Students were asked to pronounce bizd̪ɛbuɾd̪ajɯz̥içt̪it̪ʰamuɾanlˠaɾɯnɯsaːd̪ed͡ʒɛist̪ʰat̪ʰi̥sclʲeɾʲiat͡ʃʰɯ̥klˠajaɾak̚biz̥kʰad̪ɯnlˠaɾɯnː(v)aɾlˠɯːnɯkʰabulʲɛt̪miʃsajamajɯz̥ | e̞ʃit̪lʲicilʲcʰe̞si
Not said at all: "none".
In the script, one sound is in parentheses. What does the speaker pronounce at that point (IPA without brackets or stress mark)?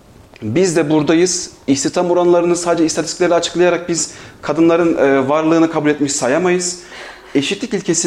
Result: v